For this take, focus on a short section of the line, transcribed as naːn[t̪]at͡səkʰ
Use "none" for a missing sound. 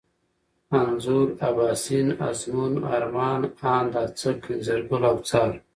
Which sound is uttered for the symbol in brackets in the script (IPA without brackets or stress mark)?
d̪